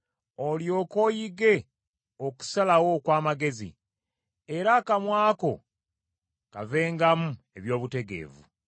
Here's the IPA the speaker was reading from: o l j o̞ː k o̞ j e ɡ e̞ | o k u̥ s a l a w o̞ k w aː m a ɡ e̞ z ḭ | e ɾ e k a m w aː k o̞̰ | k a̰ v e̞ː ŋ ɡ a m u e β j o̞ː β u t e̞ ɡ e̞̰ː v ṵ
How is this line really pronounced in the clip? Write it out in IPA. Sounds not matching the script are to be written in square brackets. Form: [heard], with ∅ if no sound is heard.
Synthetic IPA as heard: o l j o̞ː k o̞ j [i] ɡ e̞ | o k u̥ s a l a w o̞ k w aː m a ɡ e̞ z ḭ | e ɾ [a] k a m w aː k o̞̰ | k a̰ v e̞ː ŋ ɡ a m u e β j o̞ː β u t e̞ ɡ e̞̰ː v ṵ